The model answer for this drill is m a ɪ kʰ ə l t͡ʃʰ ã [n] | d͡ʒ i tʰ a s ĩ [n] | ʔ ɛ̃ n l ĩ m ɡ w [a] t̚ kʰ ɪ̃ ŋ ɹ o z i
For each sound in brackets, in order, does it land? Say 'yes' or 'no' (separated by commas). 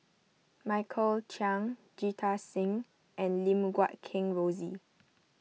no, no, yes